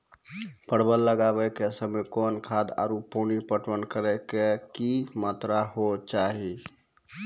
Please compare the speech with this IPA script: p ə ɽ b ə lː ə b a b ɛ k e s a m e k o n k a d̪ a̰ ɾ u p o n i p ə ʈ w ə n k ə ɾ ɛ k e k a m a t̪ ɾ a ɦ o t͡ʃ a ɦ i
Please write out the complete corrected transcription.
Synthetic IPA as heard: p ə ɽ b ə lː ə ɡ a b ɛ k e s ə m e k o n kʰ a d̪ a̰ ɾ u p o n i p ə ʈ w ə n k ə ɾ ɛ k e k i m a t̪ ɾ a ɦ o t͡ʃ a ɦ i